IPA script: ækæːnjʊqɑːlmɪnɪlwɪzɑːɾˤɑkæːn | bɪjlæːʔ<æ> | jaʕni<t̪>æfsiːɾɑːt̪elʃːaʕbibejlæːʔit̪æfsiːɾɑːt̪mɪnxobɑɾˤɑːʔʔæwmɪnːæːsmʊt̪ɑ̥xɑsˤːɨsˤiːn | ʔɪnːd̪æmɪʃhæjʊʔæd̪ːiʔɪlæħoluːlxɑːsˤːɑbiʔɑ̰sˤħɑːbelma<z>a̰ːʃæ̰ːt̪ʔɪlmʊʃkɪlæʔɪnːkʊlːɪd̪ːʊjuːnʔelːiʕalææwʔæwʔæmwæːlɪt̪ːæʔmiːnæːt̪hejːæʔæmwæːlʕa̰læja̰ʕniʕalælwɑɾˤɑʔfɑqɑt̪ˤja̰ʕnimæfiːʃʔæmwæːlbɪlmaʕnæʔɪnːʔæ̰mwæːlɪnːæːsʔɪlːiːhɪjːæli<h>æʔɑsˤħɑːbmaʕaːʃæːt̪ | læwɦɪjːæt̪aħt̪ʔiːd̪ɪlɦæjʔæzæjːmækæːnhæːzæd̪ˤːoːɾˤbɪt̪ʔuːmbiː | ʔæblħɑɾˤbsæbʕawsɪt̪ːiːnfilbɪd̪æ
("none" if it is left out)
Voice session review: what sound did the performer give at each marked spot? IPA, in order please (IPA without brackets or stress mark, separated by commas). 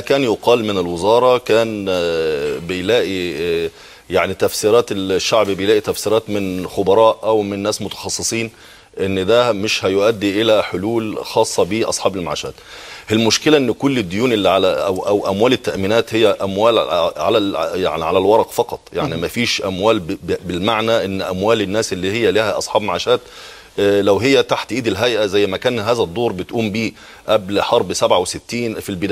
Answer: i, t̪, ʕ, h